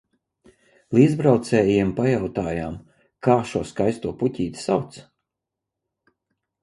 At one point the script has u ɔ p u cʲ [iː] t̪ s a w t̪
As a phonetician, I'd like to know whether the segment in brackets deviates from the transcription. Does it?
no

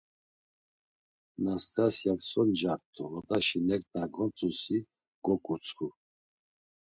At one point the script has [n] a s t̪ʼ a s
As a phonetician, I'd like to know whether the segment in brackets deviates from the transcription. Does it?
no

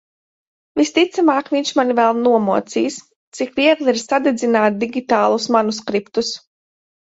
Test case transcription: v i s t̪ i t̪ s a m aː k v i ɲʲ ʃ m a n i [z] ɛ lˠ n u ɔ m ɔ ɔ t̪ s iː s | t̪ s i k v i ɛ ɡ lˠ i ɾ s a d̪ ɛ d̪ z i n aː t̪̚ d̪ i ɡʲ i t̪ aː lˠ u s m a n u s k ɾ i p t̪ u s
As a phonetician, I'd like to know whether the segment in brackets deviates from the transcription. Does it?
yes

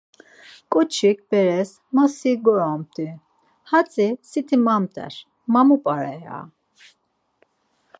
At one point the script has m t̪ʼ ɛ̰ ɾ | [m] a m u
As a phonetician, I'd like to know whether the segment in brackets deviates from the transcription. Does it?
no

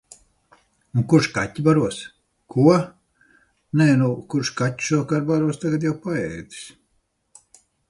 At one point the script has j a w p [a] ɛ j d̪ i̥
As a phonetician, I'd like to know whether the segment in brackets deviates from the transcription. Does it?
no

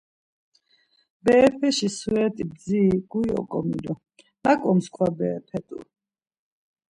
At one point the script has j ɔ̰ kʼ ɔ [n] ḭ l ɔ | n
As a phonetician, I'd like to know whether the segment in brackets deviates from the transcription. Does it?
yes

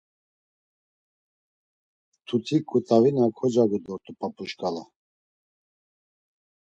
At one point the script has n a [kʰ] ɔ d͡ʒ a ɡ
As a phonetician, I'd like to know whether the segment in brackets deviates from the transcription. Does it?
no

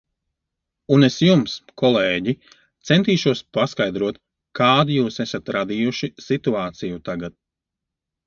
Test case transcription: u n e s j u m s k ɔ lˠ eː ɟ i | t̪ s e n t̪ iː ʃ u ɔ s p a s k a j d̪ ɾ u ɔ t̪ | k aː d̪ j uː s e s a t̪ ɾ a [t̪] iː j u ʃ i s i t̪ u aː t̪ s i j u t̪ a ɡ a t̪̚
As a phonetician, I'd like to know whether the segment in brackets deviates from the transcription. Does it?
yes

